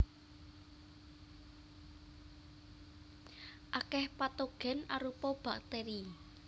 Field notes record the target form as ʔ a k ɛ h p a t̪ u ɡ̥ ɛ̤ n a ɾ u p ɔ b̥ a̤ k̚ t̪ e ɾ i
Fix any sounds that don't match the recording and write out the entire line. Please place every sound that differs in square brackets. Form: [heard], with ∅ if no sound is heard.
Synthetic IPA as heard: ʔ a k ɛ h p a t̪ [o] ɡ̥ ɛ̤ n a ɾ u p ɔ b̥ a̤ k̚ t̪ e ɾ i